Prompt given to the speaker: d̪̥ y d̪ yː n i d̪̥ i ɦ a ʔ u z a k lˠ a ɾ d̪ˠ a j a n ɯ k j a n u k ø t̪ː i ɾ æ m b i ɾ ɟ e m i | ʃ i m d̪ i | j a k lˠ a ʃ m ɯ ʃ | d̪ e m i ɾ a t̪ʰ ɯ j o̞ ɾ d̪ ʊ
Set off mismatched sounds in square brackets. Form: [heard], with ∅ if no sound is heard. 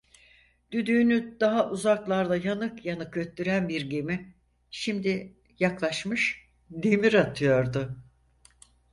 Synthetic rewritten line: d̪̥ y d̪ yː n [y] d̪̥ [a] ɦ a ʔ u z a k lˠ a ɾ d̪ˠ a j a n ɯ k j a n [ɯ] k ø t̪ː [y] ɾ æ [n] b i ɾ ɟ e m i | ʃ i m d̪ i | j a k lˠ a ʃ m ɯ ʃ | d̪ e m i ɾ a t̪ʰ ɯ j o̞ ɾ d̪ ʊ

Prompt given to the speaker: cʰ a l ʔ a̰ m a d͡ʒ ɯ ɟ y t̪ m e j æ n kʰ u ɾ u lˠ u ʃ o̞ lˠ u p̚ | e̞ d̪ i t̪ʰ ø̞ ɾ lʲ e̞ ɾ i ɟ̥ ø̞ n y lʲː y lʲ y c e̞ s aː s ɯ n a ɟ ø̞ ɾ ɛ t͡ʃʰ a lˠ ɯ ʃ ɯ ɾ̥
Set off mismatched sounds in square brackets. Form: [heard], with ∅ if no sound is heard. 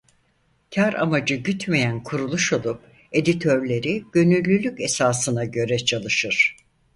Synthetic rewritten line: cʰ a [ɾ] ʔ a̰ m a d͡ʒ ɯ ɟ y t̪ m e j æ n kʰ u ɾ u lˠ u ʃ o̞ lˠ u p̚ | e̞ d̪ i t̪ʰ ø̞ ɾ lʲ e̞ ɾ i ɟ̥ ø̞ n y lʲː y lʲ y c e̞ s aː s ɯ n a ɟ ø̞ ɾ ɛ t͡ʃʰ a lˠ ɯ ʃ ɯ ɾ̥

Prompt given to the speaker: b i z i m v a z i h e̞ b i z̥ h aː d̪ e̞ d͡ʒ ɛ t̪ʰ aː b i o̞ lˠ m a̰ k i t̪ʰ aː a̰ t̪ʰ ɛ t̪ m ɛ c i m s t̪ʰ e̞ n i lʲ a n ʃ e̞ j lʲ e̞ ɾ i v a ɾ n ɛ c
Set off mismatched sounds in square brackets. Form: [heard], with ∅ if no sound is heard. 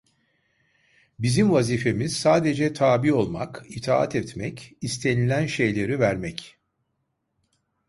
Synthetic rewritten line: b i z i m v a z i [f] e̞ [m] i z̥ [s] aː d̪ e̞ d͡ʒ ɛ t̪ʰ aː b i o̞ lˠ m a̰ k i t̪ʰ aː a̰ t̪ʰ ɛ t̪ m ɛ c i [∅] s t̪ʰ e̞ n i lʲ [æ] n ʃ e̞ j lʲ e̞ ɾ i v [æ] ɾ [m] ɛ c

